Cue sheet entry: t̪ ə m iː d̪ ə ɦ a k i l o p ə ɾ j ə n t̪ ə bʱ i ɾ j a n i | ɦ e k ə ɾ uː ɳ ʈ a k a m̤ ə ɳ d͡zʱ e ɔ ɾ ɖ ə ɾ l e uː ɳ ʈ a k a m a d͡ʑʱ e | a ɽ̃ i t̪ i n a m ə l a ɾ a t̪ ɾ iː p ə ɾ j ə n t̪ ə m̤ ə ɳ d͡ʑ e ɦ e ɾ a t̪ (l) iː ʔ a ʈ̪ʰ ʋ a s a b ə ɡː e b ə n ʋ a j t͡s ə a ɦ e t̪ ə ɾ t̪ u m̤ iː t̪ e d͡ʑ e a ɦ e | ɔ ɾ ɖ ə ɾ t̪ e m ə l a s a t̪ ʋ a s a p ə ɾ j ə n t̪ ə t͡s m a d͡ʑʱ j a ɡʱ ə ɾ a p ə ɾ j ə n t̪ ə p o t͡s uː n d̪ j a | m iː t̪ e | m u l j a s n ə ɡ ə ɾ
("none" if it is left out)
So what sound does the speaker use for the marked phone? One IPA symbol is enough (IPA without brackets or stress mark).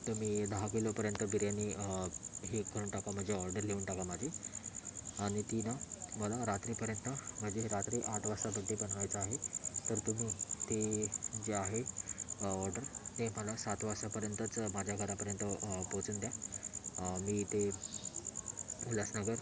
ɾ